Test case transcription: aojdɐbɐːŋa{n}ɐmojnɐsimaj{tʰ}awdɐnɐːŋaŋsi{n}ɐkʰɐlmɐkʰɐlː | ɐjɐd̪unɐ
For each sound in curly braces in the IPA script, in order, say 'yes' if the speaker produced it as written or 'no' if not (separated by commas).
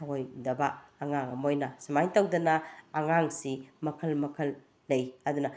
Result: no, no, no